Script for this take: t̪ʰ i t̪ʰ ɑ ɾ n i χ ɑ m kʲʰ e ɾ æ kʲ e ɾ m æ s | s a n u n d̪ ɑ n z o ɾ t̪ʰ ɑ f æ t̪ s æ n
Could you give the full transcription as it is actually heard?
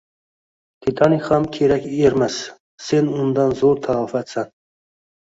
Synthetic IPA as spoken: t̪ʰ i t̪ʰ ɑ n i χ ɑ m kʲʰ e ɾ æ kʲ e ɾ m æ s | s e n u n d̪ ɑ n z o ɾ t̪ʰ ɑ f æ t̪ s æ n